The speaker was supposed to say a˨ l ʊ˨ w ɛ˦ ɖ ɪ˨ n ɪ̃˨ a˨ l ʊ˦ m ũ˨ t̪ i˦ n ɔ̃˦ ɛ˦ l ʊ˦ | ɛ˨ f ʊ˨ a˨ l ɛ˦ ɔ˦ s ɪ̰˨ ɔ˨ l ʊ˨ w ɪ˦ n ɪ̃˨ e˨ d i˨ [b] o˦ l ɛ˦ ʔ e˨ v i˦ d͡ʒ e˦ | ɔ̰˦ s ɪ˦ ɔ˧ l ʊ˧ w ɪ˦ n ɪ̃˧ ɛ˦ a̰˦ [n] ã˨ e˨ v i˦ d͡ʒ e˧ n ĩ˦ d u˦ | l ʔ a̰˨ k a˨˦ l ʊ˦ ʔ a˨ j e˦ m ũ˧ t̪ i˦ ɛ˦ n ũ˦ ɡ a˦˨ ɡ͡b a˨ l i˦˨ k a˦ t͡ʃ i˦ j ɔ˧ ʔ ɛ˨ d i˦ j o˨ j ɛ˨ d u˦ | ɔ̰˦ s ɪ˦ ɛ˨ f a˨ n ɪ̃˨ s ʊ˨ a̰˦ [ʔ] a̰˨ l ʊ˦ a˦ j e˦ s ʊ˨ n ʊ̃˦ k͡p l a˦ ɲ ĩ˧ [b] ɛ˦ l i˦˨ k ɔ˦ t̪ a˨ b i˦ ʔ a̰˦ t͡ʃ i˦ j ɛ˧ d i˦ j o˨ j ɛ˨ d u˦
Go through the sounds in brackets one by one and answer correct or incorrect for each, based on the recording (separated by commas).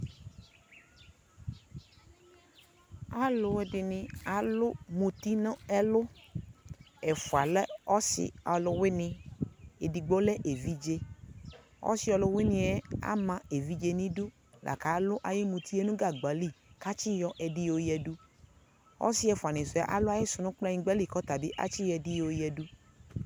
incorrect, incorrect, correct, incorrect